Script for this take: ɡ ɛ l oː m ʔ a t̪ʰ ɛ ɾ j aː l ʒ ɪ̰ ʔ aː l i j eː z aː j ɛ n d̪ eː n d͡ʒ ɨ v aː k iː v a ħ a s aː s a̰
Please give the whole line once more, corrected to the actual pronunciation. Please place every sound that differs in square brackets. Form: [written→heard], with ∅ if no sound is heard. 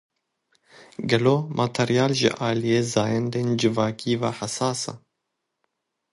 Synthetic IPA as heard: ɡ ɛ l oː m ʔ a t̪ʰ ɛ ɾ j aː l ʒ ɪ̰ ʔ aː l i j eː z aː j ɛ n d̪ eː n d͡ʒ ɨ v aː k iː v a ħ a s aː s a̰